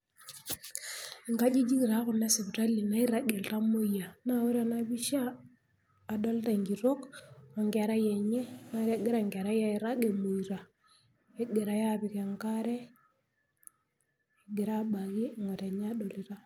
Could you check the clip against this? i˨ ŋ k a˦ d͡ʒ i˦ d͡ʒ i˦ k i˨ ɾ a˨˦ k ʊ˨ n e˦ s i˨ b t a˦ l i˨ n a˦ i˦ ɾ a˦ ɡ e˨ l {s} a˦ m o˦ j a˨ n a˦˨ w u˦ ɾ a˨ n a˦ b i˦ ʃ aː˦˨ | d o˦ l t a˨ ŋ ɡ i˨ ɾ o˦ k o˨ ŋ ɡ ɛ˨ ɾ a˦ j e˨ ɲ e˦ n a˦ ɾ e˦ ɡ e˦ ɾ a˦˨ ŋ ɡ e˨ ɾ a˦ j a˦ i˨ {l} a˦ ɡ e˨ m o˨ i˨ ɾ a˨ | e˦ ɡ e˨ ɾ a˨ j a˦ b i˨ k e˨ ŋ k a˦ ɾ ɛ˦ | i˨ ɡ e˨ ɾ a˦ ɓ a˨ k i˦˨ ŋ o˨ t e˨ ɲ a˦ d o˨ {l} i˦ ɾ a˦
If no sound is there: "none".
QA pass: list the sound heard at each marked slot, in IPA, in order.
t, ɾ, l

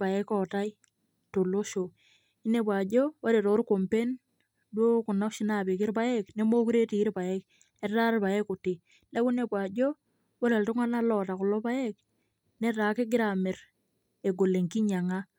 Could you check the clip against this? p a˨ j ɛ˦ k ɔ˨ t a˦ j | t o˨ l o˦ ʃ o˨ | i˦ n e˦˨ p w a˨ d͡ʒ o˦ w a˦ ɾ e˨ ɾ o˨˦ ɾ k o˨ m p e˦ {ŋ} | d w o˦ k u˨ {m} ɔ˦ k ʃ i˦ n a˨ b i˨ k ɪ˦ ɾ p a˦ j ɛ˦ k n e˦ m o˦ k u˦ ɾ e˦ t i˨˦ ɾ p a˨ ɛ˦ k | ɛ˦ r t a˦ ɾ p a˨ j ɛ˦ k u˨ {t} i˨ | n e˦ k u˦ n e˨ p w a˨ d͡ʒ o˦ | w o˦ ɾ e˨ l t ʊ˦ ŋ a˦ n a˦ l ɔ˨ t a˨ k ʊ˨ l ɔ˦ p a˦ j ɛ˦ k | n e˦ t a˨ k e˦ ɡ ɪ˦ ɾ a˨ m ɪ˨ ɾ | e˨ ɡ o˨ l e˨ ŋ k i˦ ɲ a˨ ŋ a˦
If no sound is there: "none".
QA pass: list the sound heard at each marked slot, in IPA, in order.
n, n, t

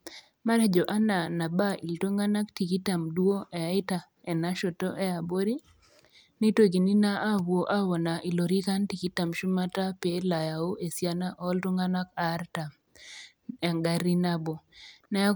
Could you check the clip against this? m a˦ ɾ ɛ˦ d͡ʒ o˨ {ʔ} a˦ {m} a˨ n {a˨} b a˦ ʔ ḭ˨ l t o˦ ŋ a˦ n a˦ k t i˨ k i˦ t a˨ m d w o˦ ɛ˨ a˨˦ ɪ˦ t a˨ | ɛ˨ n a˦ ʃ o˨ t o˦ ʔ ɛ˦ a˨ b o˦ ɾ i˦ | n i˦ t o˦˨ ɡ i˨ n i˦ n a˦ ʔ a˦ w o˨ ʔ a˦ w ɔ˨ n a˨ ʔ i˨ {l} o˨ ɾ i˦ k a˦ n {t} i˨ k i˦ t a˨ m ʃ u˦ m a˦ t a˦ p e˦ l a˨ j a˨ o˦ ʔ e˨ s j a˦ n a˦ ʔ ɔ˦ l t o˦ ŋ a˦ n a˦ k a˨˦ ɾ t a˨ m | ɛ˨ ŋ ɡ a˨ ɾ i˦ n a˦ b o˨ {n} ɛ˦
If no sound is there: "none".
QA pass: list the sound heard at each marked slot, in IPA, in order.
ʔ, n, a˨, l, t, n

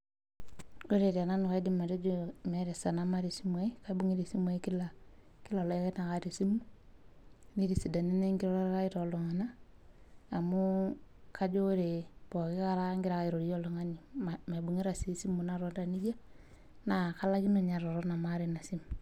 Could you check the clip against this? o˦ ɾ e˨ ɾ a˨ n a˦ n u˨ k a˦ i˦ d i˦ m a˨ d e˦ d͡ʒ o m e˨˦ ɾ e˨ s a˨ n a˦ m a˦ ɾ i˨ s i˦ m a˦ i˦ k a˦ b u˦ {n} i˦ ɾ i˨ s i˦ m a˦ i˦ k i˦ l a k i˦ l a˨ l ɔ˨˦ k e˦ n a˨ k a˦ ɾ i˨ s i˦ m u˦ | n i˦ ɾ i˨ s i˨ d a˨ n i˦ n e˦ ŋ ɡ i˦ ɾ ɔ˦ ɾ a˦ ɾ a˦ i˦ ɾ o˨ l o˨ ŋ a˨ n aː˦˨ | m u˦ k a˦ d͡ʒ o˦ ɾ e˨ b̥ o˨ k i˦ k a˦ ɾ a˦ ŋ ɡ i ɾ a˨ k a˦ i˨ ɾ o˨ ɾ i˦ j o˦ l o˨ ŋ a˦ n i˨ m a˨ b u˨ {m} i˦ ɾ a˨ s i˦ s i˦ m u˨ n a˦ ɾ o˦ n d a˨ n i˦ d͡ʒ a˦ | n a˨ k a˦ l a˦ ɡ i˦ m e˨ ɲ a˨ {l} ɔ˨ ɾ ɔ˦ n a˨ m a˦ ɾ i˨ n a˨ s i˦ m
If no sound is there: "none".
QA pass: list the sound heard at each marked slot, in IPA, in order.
ŋ, ŋ, ɾ

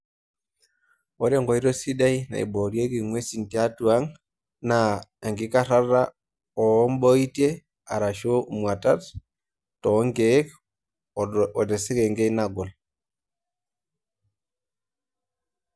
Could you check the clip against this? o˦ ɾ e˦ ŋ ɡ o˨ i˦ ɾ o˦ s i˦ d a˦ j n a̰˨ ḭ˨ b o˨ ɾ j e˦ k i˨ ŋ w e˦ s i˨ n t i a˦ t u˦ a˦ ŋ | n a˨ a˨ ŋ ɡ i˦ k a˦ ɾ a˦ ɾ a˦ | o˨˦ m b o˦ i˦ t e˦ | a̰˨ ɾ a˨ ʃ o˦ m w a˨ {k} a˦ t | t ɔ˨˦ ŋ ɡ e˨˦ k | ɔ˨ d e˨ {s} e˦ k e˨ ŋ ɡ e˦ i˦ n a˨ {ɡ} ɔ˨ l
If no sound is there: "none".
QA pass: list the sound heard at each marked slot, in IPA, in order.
t, s, ɡ

